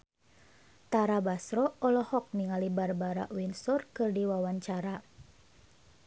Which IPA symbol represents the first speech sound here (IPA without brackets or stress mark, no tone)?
t̪